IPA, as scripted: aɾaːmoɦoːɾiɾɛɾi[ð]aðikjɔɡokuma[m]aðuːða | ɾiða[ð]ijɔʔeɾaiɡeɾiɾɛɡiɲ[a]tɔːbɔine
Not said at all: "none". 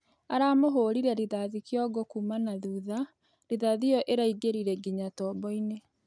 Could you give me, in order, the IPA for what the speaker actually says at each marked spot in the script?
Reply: ð, n, ð, a

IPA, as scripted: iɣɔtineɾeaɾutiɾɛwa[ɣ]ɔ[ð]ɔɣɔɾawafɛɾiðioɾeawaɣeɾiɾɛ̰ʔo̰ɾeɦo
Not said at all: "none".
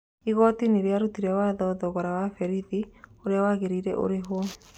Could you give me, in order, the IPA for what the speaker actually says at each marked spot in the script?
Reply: ð, ð

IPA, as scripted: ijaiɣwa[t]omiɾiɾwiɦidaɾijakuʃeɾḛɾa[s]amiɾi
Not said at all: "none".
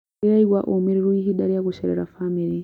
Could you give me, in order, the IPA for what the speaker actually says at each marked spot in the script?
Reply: ʔ, f

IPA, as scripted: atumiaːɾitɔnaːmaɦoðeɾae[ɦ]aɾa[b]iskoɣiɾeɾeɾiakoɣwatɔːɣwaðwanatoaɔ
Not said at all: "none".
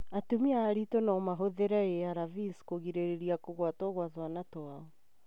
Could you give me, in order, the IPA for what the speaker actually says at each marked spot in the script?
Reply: none, v

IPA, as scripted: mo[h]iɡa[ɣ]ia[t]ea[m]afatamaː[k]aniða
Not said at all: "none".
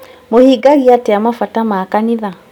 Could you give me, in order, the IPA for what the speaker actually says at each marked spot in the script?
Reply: h, ɣ, t, m, k

